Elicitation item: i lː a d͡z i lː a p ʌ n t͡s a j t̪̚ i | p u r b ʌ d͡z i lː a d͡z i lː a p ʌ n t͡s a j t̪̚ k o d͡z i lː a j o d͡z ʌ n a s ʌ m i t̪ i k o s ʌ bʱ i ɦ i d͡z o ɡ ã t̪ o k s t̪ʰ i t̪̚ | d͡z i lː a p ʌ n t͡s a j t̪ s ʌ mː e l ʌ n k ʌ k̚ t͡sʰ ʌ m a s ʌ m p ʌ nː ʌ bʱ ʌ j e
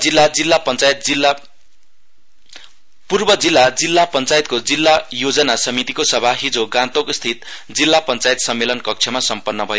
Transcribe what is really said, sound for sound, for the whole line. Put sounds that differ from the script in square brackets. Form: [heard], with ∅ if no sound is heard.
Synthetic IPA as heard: i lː a d͡z i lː a p ʌ n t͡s a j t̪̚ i | p u r b ʌ d͡z i lː a d͡z i lː a p ʌ n t͡s a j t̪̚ k o d͡z i lː a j o d͡z ʌ n a s ʌ m i t̪ i k o s ʌ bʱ [a] ɦ i d͡z o ɡ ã t̪ o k s t̪ʰ i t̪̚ | d͡z i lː a p ʌ n t͡s a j t̪ s ʌ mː e l ʌ n k ʌ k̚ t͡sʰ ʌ m a s ʌ m p ʌ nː ʌ bʱ ʌ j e